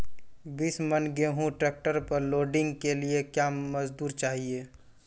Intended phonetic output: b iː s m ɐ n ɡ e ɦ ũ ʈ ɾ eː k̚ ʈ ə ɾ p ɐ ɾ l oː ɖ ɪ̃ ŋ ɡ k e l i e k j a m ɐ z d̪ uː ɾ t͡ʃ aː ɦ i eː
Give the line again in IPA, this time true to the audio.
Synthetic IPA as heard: b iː s m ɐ n ɡ e ɦ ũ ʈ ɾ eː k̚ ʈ ə ɾ p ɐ ɾ l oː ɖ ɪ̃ ŋ ɡ k e l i e k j a m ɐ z d̪ uː ɾ t͡ʃ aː ɦ i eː